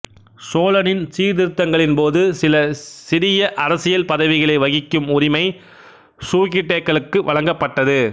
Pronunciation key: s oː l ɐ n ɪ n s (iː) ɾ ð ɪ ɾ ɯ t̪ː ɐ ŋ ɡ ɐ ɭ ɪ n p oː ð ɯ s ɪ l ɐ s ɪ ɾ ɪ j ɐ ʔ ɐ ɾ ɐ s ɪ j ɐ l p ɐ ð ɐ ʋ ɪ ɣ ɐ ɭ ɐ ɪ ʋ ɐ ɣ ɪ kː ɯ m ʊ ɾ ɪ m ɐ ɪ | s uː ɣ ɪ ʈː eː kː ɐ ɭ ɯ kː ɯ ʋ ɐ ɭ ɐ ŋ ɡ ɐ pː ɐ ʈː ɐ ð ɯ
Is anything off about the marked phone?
no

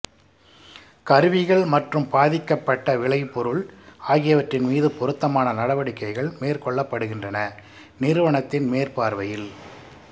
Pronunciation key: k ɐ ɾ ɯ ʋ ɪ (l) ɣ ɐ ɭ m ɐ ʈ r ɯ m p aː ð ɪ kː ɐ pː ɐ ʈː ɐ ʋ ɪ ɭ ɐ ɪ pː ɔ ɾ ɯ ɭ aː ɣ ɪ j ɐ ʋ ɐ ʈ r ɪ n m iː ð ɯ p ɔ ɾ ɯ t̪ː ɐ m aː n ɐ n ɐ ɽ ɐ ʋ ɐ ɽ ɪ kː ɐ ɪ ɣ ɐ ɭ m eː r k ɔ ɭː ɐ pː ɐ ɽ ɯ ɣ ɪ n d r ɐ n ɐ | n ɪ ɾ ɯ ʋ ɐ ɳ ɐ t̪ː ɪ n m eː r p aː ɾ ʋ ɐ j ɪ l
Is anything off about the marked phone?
yes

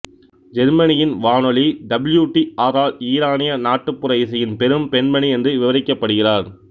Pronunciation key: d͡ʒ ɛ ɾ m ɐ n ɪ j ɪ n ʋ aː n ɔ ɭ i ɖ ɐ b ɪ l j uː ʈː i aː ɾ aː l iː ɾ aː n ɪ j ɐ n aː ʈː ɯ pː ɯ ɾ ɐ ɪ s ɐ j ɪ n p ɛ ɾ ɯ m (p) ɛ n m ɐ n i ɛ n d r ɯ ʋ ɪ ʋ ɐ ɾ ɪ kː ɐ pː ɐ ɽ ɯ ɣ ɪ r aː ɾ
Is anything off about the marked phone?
no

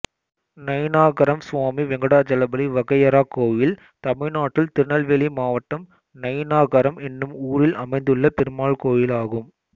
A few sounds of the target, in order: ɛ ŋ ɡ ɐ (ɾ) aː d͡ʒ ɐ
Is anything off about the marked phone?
yes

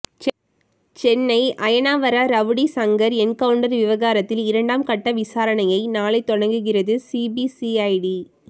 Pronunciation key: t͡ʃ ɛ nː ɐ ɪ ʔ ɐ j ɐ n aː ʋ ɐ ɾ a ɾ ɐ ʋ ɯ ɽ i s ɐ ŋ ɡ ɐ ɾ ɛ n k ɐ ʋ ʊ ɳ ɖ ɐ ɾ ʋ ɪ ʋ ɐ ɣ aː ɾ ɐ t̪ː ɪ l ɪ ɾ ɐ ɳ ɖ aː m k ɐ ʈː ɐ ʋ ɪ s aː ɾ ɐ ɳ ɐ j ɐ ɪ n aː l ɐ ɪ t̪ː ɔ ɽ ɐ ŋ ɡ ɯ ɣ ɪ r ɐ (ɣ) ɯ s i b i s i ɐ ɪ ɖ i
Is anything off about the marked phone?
yes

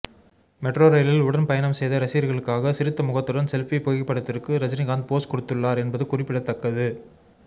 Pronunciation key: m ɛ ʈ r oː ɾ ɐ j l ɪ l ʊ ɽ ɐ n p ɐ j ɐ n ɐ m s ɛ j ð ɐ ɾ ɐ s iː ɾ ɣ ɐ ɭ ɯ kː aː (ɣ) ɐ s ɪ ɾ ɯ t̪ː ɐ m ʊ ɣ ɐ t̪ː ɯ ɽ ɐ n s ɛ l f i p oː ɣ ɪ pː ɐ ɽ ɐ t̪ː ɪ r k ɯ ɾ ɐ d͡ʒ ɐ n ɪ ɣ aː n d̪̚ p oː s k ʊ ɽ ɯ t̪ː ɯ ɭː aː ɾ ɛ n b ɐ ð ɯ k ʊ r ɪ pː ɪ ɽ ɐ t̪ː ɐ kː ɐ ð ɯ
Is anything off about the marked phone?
no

